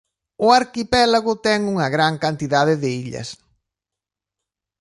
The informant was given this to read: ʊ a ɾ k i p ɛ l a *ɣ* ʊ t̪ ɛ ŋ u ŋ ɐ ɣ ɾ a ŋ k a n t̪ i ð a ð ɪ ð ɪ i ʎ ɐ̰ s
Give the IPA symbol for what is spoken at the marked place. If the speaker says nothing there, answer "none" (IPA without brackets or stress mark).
ɣ